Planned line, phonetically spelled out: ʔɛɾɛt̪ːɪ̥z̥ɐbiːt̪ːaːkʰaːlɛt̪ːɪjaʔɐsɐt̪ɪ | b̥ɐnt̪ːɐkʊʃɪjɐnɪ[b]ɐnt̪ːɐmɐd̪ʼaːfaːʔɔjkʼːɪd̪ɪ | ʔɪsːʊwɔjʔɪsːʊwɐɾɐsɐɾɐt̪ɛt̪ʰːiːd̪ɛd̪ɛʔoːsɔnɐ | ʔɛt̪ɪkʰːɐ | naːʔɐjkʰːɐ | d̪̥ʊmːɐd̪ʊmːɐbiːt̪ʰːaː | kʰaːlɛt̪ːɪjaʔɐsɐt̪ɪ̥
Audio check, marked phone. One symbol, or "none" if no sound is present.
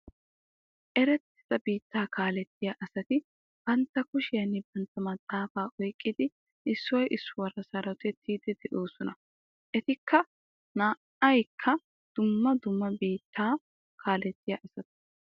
b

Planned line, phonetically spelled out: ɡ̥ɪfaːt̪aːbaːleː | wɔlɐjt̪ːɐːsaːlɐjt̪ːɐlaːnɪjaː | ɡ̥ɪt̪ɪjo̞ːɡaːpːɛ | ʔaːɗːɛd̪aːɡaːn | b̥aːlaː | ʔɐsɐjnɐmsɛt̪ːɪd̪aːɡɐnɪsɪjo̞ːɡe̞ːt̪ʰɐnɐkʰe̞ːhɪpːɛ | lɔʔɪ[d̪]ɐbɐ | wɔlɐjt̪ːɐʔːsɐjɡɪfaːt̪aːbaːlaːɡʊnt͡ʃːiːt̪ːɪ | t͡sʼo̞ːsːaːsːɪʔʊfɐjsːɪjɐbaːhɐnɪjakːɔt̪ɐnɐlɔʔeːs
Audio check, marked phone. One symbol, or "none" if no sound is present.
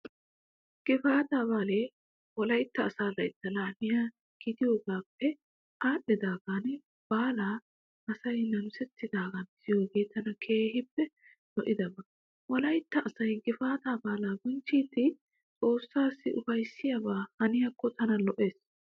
d̪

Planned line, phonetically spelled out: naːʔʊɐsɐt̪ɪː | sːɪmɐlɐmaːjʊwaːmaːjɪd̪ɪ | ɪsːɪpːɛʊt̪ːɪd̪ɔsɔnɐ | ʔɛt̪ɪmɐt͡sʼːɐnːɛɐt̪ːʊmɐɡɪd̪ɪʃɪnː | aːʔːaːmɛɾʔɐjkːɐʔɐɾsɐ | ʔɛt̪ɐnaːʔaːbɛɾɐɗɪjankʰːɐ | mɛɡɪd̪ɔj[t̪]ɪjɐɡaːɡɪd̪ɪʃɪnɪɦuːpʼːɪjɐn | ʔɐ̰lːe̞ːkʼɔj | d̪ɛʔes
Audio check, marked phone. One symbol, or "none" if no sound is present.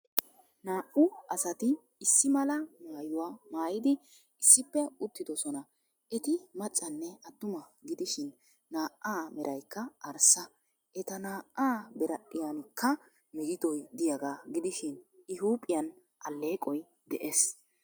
d̪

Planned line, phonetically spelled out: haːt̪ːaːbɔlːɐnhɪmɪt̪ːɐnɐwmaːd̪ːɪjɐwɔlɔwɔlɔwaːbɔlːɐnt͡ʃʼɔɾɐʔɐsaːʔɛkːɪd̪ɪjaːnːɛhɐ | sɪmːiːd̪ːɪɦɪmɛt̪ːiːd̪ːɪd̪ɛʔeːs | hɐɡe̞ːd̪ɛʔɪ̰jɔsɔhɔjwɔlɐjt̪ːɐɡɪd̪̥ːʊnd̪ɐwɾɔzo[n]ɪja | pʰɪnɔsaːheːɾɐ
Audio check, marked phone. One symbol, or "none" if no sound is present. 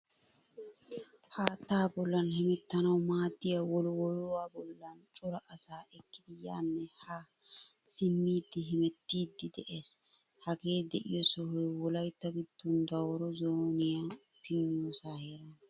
n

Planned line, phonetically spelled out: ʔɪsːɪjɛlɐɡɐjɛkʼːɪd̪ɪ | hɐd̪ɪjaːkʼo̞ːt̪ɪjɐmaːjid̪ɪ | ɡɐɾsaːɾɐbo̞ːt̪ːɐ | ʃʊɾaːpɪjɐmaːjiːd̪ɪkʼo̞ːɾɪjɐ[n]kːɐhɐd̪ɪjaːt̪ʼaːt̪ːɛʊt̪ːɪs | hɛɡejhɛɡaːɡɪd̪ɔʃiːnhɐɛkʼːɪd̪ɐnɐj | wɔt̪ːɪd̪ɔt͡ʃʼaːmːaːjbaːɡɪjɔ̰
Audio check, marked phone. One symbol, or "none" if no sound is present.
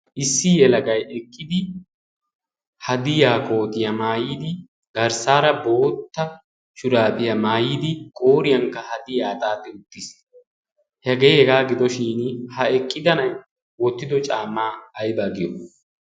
ŋ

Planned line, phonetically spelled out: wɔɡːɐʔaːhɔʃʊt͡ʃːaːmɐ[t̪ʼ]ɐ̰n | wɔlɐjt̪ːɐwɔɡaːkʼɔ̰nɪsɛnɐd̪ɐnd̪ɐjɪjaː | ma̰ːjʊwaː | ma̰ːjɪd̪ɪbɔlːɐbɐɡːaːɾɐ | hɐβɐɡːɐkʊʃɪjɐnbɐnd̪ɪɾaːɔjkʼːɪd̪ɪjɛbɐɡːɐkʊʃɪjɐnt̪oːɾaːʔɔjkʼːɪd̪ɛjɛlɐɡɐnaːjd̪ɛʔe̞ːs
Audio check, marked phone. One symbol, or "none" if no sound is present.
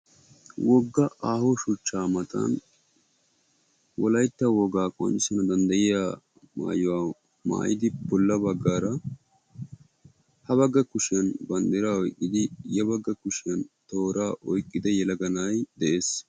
t̪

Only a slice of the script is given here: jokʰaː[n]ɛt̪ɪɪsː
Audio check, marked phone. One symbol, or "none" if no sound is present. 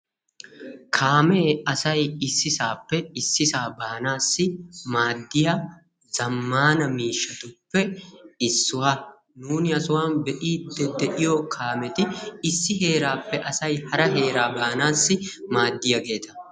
m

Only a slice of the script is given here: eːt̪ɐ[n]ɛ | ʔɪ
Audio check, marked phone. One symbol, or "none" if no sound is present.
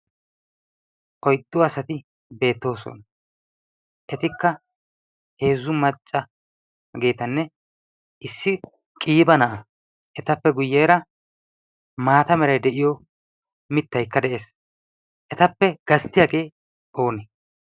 nː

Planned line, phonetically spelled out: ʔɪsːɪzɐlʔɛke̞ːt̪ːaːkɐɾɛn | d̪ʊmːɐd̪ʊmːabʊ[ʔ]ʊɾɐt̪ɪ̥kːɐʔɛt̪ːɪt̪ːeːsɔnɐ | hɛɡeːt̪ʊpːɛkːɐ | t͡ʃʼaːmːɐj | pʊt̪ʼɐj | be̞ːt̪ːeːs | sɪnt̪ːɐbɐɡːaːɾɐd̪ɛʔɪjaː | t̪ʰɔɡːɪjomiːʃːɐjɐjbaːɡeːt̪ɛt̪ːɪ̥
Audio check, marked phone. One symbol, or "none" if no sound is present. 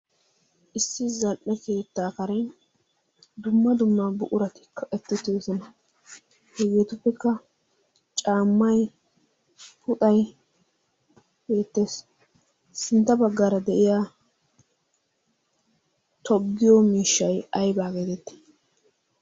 ʔ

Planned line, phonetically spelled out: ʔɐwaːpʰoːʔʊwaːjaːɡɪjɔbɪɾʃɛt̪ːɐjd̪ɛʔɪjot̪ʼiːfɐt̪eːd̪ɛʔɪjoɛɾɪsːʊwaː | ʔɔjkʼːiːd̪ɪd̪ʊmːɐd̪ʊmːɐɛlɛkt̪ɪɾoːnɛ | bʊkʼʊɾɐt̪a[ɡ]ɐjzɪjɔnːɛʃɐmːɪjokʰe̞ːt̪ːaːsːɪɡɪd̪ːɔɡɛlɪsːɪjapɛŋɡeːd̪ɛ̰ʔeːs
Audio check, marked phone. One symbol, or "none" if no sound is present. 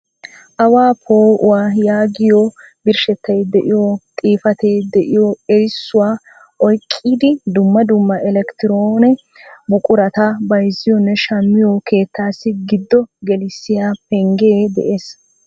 b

